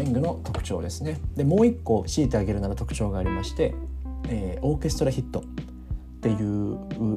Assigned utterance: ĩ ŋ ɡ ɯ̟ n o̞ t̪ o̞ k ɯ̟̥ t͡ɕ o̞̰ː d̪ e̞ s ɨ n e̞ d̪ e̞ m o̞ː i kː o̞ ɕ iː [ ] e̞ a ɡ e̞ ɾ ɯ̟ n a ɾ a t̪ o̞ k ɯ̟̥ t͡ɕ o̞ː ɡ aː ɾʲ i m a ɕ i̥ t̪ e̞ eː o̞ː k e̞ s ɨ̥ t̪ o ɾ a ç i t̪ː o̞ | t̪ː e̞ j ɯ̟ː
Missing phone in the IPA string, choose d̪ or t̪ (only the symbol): t̪